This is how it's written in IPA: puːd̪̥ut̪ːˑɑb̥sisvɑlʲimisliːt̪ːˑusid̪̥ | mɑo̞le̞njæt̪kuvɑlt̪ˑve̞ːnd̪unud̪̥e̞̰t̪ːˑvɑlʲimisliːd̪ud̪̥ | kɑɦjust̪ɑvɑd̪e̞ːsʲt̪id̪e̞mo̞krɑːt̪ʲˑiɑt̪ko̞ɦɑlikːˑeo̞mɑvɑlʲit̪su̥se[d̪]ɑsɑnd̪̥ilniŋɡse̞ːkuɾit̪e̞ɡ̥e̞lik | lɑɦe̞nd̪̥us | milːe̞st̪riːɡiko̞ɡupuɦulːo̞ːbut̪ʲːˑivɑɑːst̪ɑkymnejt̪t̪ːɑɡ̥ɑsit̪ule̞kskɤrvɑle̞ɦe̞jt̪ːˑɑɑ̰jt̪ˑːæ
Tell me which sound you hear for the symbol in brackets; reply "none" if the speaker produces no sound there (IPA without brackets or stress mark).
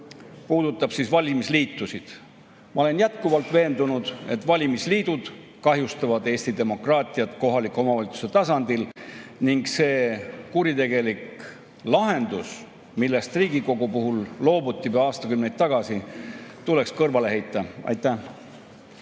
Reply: t̪